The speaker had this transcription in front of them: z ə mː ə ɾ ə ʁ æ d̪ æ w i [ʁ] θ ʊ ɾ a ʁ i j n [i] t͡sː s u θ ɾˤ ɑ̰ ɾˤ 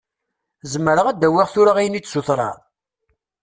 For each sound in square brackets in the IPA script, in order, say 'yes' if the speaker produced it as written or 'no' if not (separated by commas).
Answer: yes, yes